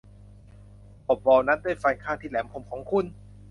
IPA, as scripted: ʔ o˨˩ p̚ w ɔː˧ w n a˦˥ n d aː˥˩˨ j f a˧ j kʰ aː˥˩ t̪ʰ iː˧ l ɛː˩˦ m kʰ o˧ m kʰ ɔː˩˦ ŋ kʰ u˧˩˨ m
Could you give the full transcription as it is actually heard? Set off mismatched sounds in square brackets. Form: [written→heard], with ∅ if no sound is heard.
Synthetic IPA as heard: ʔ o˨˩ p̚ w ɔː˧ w n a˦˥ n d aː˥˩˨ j f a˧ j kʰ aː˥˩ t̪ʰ [iː˧→iː˥˩] l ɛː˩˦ m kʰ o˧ m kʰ ɔː˩˦ ŋ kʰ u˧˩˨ [m→n]